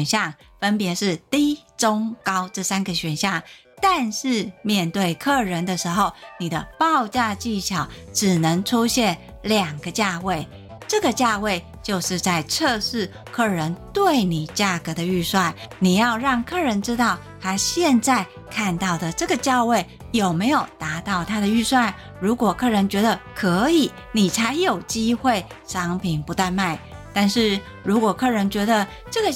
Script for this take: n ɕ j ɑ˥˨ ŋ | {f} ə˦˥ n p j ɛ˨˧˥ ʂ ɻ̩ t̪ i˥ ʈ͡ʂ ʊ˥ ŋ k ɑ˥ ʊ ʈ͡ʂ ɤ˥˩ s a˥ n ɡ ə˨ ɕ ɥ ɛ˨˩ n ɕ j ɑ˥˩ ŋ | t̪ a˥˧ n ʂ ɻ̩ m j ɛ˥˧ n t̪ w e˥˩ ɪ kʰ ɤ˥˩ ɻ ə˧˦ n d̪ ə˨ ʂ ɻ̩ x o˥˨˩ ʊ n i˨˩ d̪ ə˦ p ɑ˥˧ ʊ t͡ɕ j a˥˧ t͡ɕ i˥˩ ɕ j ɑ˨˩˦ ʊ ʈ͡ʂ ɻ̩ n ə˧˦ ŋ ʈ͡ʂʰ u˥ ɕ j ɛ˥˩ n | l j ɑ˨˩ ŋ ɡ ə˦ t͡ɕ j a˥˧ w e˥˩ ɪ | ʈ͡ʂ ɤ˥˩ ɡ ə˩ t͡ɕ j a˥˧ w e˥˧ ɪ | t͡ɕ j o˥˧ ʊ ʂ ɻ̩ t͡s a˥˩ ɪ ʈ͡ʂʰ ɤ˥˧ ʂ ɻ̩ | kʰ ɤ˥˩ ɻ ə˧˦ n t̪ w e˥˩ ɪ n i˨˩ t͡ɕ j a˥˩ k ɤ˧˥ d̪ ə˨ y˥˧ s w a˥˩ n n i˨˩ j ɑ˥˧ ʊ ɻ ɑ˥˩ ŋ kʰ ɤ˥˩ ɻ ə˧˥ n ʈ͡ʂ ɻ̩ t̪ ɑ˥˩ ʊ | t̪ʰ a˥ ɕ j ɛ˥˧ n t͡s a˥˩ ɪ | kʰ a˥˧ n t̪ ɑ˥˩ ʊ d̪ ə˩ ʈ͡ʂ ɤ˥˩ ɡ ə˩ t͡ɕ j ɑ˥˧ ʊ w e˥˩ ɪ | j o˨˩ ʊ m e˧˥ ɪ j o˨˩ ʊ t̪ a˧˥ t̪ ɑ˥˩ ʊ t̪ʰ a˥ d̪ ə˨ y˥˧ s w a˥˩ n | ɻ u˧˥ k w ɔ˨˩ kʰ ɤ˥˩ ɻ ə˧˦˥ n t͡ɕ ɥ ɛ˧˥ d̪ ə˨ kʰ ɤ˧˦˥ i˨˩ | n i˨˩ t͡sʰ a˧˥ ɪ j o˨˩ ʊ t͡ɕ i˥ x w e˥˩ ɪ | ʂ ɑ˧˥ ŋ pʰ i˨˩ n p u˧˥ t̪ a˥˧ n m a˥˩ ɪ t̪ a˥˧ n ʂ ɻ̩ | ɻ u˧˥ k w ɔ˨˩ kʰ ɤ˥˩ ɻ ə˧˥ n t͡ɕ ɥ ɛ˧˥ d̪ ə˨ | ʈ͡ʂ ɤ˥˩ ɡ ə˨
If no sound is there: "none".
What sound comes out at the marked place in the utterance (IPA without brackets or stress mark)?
f